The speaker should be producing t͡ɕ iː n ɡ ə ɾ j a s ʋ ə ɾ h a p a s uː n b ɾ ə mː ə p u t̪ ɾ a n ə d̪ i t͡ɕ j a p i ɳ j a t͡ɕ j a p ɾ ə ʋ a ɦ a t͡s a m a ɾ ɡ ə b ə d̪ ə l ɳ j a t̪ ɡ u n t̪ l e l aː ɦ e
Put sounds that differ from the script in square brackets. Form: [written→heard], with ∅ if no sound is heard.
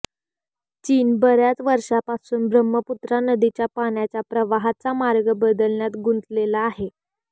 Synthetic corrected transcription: t͡ɕ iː n [ɡ→b] ə ɾ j a [s→t͡s] ʋ ə ɾ [h→ʂ] a p a s uː n b ɾ ə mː ə p u t̪ ɾ a n ə d̪ i t͡ɕ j a p [i→a] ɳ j a t͡ɕ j a p ɾ ə ʋ a ɦ a t͡s a m a ɾ ɡ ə b ə d̪ ə l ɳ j a t̪ ɡ u n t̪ l e l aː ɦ e